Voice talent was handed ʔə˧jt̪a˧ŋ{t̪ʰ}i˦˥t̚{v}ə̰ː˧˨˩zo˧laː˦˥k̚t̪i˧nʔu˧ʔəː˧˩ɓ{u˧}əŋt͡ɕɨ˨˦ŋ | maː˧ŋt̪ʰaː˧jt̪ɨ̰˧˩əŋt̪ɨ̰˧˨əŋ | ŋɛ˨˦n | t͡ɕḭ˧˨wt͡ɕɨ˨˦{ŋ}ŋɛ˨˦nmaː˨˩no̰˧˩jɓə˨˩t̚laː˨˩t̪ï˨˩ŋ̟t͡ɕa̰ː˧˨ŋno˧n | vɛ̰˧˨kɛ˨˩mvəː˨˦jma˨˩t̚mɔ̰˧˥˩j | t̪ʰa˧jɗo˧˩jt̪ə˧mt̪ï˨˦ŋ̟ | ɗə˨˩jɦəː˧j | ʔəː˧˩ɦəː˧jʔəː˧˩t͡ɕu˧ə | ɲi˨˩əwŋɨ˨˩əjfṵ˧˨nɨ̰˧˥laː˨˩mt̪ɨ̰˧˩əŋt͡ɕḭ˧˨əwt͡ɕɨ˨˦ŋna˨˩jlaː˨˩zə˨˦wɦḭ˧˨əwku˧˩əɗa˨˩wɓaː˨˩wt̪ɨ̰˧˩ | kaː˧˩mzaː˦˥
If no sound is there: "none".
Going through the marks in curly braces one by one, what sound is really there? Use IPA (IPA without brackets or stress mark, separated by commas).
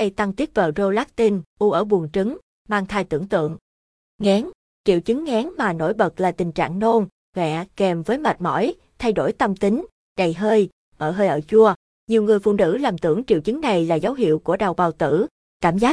t̪, v, u˨˩, ŋ